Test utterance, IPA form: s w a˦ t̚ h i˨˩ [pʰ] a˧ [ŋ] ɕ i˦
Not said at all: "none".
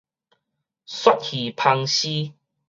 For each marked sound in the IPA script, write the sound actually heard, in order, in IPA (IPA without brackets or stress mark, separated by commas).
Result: pʰ, ŋ